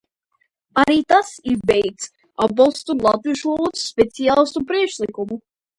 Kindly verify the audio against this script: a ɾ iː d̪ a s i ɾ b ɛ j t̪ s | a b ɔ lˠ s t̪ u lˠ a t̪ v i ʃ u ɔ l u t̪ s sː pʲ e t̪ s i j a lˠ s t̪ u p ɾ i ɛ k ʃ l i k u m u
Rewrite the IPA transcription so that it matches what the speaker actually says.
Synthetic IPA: a ɾ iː t̪ a s i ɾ b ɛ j t̪ s | a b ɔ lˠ s t̪ u lˠ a t̪ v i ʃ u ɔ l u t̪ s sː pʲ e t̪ s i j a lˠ s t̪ u p ɾ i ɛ k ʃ l i k u m u

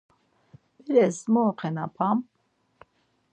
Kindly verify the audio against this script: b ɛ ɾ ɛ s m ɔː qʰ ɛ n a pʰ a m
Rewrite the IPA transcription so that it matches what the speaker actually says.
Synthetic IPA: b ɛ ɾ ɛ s m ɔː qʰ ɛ n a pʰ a m

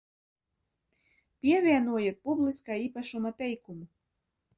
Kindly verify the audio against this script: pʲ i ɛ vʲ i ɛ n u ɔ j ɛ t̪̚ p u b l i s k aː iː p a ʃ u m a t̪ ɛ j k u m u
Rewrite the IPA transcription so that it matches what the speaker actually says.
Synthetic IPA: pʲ i ɛ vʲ i ɛ n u ɔ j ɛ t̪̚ p u b l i s k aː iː p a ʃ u m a t̪ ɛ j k u m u

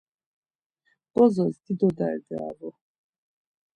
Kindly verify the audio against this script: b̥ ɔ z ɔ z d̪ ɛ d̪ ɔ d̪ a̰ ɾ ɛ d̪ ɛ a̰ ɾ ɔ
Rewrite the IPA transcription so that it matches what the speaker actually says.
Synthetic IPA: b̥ ɔ z ɔ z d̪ i d̪ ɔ d̪ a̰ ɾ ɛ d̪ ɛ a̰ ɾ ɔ

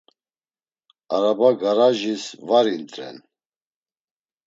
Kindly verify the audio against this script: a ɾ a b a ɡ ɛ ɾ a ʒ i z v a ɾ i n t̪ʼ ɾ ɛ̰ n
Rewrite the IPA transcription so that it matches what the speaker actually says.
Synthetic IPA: a ɾ a b a ɡ a ɾ a ʒ i s v a ɾ i n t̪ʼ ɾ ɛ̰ n

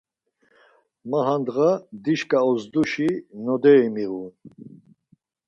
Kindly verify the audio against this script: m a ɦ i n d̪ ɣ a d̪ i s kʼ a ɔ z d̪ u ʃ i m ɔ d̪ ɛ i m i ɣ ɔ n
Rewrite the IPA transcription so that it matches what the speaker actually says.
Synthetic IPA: m a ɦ a n d̪ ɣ a d̪ i ʃ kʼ a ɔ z d̪ u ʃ i n ɔ d̪ ɛ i m i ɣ u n

